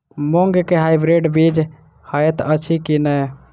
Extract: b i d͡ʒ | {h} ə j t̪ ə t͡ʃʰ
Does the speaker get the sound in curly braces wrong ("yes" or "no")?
no